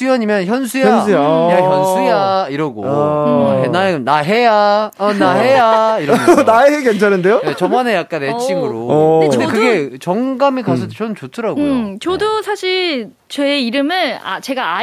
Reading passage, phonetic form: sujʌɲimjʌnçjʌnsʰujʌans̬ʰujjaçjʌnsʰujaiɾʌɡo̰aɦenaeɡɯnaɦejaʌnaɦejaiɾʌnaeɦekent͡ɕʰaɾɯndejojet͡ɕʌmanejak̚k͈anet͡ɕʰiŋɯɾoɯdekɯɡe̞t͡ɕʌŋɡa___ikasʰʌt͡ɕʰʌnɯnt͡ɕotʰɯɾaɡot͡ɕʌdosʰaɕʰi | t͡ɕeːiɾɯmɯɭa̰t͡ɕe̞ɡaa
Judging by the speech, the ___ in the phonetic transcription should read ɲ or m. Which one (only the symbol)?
m